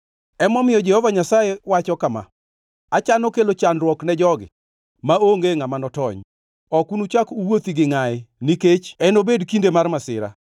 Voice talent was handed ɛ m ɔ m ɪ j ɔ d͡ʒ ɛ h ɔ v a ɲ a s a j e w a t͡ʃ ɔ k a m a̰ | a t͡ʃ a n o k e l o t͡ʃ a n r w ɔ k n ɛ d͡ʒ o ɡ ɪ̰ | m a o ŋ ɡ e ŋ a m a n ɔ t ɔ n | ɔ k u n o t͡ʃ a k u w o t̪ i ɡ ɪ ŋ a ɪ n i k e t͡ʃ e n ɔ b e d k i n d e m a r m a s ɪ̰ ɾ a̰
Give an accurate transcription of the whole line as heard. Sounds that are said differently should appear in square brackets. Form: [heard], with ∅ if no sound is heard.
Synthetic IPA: ɛ m ɔ m ɪ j ɔ d͡ʒ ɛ h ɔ v a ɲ a s a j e w a t͡ʃ ɔ k a m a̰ | a t͡ʃ a n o k e l o t͡ʃ a n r w ɔ k n ɛ d͡ʒ [ɔ] ɡ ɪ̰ | m a o ŋ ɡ e ŋ a m a n ɔ t ɔ [ɲ] | ɔ k u n [u] t͡ʃ a k u w o t̪ i ɡ ɪ ŋ a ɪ n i k e t͡ʃ [ɛ] n [o] b e d k i n d e m a r m a s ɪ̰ ɾ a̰